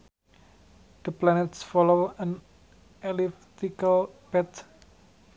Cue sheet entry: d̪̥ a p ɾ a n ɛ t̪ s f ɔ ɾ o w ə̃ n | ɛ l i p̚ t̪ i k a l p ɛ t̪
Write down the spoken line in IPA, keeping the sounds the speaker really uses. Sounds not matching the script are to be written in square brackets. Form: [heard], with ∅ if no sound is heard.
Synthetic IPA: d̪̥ [ə] p [l] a n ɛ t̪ s f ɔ [l] o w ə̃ n | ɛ l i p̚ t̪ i k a l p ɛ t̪